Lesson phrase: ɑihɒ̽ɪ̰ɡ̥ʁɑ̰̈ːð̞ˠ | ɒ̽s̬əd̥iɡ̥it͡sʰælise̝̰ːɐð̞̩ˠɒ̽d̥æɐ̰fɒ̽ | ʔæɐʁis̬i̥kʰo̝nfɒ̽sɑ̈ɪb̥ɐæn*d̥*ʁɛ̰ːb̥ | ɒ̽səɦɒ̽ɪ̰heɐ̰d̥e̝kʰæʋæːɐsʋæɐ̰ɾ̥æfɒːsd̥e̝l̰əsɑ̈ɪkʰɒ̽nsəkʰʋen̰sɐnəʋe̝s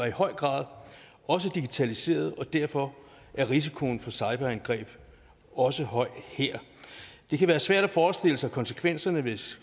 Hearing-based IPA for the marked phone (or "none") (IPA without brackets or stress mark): ɡ̥